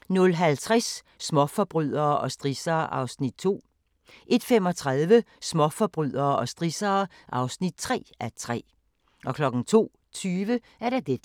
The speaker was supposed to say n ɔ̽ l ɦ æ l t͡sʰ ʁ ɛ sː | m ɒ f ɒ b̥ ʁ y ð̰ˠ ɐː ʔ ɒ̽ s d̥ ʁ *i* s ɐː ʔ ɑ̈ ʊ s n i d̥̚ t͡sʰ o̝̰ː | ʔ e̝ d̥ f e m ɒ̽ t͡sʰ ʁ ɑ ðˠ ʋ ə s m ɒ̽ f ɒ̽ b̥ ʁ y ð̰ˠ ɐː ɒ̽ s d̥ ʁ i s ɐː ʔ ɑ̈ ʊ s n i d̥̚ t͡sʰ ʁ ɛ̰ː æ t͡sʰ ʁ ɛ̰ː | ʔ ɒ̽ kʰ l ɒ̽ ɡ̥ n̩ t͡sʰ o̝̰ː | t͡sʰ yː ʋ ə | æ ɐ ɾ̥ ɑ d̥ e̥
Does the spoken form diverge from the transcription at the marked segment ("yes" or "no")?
no